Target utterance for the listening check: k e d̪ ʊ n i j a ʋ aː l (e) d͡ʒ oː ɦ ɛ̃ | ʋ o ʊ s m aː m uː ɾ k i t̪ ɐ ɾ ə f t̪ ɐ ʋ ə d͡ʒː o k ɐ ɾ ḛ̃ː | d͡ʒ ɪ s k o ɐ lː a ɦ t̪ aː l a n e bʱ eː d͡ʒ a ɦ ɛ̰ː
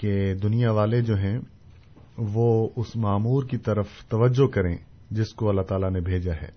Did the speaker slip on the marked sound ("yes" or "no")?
no